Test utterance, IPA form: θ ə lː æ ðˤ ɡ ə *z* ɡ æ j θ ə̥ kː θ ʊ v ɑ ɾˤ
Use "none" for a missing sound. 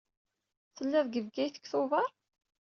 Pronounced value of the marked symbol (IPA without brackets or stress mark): v